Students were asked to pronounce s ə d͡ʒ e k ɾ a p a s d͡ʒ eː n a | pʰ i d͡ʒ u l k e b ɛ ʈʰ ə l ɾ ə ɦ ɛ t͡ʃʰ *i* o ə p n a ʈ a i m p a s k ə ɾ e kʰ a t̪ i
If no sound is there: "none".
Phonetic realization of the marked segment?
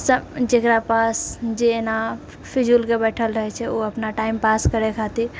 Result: ɛ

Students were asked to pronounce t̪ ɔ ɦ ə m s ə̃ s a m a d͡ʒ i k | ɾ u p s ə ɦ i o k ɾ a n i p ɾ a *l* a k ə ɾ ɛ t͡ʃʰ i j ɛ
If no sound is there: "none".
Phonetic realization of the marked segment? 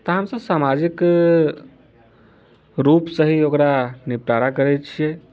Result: ɾ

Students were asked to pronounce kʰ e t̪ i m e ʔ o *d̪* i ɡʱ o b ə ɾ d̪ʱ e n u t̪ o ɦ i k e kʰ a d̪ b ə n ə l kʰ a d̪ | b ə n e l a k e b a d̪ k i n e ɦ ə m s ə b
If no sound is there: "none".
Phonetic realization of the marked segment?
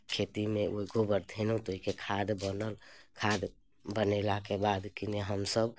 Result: none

